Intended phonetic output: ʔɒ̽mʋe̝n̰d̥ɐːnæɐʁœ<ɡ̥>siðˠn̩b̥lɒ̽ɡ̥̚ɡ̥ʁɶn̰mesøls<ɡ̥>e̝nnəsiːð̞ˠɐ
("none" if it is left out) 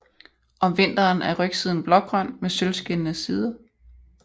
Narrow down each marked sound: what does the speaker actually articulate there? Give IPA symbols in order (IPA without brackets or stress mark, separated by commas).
ɡ̥, ɡ̥